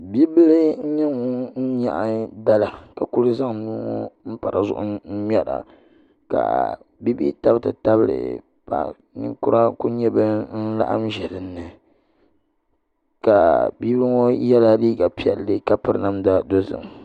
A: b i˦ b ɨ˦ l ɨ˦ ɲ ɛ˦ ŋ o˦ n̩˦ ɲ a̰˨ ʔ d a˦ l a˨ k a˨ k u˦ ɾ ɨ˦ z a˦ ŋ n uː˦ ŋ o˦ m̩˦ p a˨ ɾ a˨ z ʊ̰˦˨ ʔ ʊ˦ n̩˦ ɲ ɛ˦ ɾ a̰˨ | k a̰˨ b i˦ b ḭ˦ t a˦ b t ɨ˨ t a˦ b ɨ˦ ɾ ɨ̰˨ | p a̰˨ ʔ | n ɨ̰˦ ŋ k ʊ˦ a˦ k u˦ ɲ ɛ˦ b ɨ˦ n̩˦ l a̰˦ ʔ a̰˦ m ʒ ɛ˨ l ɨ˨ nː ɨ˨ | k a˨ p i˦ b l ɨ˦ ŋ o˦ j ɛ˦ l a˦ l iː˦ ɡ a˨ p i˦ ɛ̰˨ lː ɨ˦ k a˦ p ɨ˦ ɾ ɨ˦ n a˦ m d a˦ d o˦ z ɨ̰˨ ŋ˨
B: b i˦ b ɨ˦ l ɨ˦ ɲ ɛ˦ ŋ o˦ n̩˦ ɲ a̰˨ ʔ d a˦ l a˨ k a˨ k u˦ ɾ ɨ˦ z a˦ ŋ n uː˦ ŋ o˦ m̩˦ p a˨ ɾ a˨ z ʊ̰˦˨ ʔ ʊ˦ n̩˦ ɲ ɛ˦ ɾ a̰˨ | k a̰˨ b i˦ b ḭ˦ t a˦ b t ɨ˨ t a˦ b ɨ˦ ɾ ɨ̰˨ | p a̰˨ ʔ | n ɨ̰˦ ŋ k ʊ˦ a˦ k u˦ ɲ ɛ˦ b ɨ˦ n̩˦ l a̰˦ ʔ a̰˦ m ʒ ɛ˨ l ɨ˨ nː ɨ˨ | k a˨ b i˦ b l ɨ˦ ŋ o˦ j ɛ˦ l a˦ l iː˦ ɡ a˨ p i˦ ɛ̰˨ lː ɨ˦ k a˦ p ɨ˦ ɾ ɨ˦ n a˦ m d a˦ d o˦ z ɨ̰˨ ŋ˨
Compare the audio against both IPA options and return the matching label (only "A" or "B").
B